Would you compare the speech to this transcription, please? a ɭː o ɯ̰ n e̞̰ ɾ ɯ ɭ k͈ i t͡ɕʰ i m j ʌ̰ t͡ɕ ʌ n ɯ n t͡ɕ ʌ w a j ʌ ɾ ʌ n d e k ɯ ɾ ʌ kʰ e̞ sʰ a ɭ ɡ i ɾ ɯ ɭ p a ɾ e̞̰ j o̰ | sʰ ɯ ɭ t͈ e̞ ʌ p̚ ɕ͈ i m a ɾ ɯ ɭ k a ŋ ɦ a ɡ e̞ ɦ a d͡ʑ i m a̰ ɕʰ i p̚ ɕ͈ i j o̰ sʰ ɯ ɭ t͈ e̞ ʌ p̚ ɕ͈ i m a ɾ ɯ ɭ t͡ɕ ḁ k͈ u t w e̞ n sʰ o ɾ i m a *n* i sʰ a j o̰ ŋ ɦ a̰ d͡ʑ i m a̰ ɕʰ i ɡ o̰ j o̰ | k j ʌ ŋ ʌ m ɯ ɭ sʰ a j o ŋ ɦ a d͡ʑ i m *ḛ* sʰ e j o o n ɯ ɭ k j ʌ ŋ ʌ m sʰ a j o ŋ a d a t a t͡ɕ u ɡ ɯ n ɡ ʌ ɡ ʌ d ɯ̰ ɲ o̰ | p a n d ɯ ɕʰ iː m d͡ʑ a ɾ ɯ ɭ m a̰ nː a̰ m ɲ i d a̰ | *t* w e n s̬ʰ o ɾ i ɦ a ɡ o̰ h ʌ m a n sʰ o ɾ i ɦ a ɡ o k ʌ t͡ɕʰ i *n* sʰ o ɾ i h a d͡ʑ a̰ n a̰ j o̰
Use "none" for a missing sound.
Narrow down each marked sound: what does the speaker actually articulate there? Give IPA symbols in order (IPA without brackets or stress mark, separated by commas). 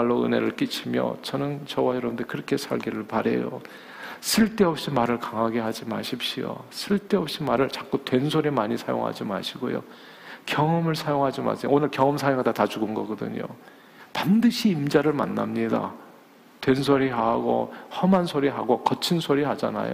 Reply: ɲ, a̰, t, n